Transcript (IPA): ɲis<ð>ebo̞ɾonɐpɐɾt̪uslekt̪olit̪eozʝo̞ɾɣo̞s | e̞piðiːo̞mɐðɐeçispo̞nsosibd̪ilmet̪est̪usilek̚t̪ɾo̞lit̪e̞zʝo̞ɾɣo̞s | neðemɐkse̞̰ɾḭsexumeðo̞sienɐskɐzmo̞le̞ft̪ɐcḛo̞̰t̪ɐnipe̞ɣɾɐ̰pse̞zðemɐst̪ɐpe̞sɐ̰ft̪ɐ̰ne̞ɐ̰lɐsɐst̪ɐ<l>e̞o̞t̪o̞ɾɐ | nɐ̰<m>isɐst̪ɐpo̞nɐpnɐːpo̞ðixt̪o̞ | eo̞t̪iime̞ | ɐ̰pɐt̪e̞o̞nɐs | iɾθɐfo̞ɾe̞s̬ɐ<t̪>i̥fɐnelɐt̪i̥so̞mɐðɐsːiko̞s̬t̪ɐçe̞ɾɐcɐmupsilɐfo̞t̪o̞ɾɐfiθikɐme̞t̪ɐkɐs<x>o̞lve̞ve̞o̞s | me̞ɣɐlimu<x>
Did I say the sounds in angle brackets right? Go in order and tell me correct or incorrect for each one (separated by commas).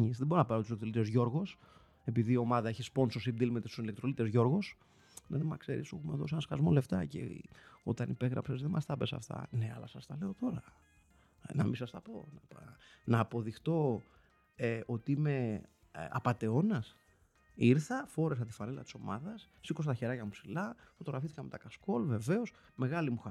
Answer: correct, correct, correct, correct, incorrect, correct